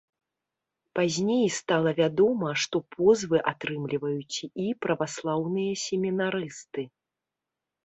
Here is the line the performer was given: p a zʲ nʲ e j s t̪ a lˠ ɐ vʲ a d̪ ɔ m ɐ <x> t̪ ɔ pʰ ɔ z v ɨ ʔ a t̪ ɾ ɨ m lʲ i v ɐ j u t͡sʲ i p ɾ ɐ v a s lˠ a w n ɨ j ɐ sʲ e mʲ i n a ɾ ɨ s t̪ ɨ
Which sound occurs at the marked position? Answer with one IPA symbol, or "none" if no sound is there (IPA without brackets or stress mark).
ʂ